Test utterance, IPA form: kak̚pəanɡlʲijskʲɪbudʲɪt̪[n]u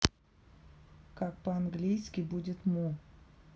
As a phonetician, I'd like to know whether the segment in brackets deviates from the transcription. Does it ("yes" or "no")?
yes